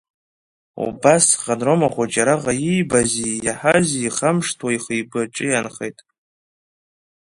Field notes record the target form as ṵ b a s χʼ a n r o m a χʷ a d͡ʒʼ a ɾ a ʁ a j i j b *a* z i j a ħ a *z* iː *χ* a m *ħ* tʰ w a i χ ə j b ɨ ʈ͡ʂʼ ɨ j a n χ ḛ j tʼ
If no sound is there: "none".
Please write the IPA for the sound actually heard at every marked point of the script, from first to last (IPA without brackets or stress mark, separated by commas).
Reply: a, z, χ, ʂ